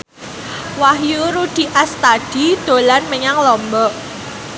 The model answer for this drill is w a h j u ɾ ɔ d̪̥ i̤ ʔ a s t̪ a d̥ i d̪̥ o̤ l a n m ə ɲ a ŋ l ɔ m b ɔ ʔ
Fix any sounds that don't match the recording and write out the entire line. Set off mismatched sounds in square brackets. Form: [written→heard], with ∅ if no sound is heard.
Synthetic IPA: w a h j u ɾ [ɔ→u] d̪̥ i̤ ʔ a s t̪ a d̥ i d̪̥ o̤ l a n m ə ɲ a ŋ l ɔ m b ɔ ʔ